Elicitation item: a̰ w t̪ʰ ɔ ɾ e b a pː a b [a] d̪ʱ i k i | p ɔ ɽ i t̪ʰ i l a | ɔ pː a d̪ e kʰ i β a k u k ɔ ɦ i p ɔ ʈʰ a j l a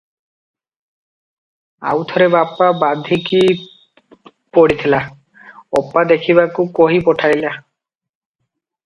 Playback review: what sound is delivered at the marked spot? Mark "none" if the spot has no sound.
a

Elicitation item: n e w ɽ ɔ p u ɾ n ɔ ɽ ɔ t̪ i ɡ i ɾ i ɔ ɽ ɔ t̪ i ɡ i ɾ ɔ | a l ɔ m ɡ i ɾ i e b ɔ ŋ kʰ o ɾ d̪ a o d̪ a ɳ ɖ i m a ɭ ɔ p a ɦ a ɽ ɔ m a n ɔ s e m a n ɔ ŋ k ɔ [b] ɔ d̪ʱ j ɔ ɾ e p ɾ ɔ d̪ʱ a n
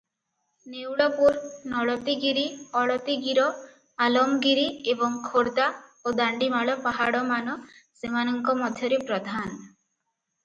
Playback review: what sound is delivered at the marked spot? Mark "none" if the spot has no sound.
m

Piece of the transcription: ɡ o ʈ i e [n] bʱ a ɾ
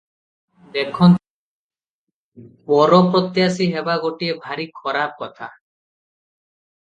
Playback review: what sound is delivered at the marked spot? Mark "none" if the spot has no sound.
none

